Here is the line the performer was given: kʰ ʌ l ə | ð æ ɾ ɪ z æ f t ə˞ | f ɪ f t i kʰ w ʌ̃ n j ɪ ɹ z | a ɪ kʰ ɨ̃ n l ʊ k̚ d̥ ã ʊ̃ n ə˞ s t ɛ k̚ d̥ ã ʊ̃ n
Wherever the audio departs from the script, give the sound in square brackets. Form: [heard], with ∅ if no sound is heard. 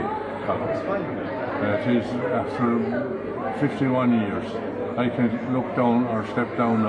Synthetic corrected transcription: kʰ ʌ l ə | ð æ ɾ ɪ z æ f t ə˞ | f ɪ f t i [∅] w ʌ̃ n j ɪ ɹ z | a ɪ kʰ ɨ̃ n l ʊ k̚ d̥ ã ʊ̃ n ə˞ s t ɛ [p̚] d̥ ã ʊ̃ n